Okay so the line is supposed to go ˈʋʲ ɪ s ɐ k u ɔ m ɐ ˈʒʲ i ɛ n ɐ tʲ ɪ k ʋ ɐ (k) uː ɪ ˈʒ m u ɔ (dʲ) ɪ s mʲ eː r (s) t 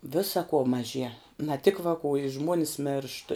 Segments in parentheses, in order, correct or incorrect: correct, incorrect: nʲ, incorrect: ʃ

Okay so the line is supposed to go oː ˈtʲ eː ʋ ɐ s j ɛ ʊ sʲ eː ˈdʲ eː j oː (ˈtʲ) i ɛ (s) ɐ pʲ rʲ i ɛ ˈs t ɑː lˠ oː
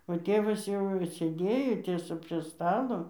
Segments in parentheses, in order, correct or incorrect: correct, correct

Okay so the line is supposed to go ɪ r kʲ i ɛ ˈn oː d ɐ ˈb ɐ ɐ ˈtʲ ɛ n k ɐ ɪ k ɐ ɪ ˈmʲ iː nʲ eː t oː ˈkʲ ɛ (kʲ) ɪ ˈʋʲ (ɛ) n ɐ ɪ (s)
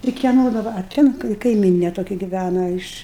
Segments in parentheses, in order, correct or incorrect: incorrect: ɡʲ, incorrect: æ, incorrect: ʃ

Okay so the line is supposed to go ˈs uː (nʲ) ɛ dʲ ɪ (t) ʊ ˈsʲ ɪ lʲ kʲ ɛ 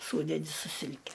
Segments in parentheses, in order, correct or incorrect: incorrect: dʲ, incorrect: s

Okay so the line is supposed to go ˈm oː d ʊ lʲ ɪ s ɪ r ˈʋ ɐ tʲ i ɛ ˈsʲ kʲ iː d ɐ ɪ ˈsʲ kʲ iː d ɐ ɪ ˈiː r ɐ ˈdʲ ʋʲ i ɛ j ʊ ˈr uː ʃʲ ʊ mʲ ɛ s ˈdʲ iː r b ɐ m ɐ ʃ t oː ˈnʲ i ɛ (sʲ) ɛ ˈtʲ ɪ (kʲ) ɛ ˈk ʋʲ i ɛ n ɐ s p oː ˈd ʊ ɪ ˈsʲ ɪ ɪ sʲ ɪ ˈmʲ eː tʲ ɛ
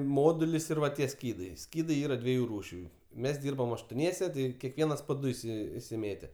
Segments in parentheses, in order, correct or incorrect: correct, correct

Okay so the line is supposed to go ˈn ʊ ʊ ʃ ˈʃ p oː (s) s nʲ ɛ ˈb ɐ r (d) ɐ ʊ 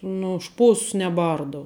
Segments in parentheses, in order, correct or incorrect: correct, correct

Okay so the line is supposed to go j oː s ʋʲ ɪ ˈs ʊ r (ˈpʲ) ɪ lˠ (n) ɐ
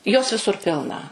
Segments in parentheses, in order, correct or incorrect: correct, correct

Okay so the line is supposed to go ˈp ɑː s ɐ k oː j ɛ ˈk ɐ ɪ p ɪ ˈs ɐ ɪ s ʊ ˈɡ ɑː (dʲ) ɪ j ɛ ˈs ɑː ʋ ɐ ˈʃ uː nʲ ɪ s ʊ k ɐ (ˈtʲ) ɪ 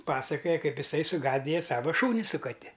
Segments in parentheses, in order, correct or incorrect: correct, correct

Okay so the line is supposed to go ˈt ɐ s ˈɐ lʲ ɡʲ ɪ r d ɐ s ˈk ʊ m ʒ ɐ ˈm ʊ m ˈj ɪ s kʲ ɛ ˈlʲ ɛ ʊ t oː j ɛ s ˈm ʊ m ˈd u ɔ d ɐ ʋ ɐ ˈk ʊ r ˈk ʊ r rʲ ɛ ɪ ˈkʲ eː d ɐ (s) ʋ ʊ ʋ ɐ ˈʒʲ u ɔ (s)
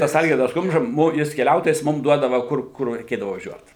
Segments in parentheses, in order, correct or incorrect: incorrect: none, incorrect: t

